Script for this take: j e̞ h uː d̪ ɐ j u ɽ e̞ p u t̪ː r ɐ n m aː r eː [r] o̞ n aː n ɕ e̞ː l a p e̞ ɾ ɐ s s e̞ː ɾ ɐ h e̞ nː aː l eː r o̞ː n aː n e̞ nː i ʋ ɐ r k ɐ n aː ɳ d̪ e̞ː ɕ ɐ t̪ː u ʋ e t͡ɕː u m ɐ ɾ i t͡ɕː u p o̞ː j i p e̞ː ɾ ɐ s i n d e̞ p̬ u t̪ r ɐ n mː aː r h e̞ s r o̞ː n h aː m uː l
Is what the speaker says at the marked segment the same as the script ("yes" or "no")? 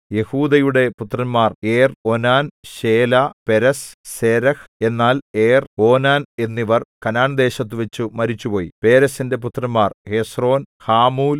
yes